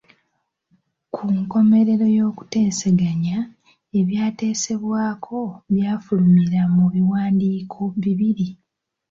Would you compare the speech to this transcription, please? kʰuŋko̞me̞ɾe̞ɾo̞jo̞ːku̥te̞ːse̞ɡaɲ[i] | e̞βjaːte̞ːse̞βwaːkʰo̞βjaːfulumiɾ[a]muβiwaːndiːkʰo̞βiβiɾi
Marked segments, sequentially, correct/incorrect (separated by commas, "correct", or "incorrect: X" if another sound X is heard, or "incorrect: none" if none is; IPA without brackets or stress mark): incorrect: a, correct